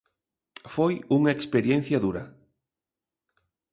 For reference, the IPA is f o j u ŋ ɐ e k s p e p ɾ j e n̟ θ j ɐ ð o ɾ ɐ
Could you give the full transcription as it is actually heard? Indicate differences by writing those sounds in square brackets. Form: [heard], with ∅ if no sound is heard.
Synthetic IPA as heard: f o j u ŋ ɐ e k s p e [∅] ɾ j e n̟ θ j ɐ ð [u] ɾ ɐ